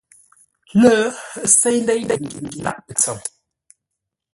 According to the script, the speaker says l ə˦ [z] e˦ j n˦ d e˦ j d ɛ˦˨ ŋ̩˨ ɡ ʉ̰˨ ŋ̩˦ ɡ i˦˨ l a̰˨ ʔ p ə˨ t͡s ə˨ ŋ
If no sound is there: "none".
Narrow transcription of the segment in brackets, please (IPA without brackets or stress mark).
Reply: s